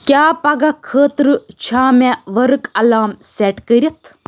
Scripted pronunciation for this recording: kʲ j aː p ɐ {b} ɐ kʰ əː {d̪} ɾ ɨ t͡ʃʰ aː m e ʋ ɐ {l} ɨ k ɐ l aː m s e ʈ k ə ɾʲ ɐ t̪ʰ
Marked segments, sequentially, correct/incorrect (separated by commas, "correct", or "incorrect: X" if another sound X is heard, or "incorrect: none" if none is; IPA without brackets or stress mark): incorrect: ɡ, incorrect: t̪, incorrect: ɾ